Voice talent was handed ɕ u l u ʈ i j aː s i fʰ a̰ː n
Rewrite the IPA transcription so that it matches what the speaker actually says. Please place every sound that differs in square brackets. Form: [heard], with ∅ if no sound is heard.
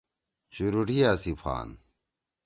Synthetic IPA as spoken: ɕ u [ɾ] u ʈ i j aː s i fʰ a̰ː n